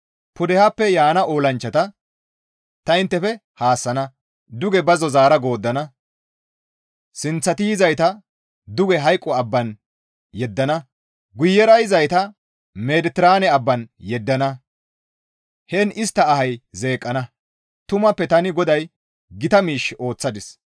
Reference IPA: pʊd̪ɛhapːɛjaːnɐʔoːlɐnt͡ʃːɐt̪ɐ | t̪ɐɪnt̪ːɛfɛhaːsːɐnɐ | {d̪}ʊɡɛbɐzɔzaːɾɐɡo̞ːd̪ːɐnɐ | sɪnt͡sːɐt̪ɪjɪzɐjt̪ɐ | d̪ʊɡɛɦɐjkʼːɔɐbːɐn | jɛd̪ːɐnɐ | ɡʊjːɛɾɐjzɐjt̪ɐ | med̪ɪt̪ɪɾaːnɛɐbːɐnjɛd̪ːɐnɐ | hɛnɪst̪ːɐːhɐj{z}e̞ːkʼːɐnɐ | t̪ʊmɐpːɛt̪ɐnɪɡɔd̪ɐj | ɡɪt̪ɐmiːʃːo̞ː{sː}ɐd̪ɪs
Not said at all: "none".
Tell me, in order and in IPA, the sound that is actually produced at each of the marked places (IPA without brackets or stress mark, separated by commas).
d̪, z, t͡sː